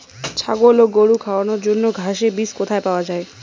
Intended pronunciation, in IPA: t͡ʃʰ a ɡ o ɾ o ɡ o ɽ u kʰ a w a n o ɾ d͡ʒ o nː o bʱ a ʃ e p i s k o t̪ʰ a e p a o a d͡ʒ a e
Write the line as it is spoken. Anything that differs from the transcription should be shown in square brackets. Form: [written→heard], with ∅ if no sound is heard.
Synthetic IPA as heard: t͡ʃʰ a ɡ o [ɾ→l] o ɡ o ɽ u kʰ a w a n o ɾ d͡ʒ o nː o [bʱ→ɡʱ] a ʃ e [p→b] i s k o t̪ʰ a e p a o a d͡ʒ a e